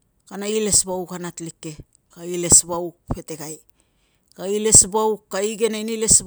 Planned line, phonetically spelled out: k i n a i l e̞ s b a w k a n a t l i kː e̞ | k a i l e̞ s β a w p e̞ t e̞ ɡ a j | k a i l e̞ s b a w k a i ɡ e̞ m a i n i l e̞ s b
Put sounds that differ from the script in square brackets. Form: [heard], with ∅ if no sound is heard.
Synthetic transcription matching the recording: k [a] n a i l e̞ s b a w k a n a t l i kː e̞ | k a i l e̞ s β a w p e̞ t e̞ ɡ a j | k a i l e̞ s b a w k a i ɡ e̞ [n] a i n i l e̞ s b